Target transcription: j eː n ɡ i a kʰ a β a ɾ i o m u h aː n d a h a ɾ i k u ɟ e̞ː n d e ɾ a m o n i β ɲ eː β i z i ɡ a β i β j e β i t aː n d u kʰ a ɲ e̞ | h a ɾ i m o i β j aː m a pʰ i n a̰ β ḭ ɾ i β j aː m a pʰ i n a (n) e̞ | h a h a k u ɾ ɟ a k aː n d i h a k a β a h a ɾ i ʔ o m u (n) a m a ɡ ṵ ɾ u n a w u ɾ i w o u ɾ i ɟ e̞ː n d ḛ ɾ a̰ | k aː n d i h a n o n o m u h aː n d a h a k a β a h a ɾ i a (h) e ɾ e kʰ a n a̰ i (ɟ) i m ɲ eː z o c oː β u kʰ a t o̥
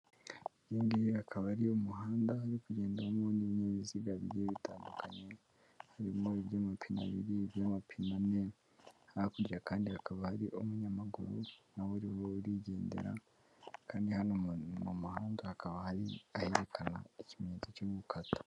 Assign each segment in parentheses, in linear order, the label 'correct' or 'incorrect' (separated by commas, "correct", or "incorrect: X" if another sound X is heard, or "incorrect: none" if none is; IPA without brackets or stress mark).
correct, incorrect: ɲ, correct, incorrect: c